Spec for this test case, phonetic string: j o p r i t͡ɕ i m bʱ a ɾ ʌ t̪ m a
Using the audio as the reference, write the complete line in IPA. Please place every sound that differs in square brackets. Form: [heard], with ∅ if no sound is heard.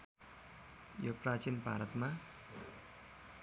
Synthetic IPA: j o p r [a] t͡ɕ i [n] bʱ a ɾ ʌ t̪ m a